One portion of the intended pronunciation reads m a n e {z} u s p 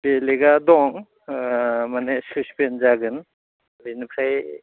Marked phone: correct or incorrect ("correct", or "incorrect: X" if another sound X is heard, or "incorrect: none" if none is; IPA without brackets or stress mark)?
incorrect: s